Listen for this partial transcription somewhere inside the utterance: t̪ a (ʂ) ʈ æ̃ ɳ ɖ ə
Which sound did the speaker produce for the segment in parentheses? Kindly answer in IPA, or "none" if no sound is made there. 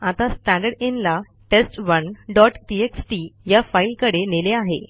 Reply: s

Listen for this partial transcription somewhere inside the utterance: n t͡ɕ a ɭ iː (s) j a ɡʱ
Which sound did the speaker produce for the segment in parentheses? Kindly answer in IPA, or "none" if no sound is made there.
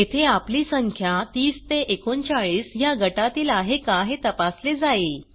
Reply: s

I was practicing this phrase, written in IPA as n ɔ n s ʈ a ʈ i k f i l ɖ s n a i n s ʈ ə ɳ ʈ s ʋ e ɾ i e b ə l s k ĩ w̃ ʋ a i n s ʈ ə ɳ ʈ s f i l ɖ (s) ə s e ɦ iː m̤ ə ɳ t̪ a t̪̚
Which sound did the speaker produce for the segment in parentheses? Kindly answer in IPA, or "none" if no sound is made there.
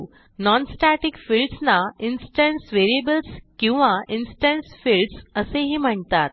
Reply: s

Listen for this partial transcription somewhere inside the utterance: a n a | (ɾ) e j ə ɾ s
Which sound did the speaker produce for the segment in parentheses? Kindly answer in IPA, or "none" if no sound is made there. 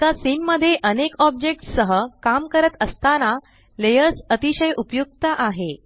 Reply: l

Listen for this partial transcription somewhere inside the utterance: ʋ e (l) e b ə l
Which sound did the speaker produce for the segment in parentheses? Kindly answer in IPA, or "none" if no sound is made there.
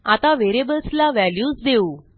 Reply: ɾ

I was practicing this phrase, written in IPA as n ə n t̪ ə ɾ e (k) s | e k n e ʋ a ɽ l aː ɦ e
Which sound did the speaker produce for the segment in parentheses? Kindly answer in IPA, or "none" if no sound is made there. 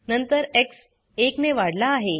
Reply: k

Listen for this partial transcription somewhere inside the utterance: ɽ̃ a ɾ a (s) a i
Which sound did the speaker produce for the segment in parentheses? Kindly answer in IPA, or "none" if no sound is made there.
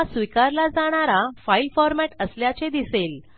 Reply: f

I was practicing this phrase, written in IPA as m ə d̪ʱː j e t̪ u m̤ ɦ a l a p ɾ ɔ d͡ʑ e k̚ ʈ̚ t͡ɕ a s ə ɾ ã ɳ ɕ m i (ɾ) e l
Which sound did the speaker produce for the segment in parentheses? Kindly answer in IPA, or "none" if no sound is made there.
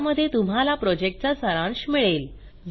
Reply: ɭ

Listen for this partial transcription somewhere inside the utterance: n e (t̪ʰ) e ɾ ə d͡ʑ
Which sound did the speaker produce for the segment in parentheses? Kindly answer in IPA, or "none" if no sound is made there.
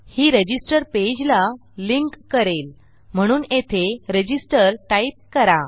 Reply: t̪ʰ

